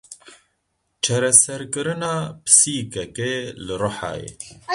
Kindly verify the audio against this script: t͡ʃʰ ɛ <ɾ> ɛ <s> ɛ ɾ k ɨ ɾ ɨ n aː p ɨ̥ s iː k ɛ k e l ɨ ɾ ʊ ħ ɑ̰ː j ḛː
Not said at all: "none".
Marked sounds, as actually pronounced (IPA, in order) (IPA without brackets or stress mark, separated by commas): ɾ, s